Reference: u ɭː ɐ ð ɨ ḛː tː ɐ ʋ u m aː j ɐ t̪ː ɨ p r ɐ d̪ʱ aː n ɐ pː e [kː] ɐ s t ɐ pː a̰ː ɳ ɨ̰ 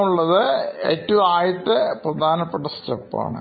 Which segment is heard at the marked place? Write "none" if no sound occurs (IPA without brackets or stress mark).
ʈː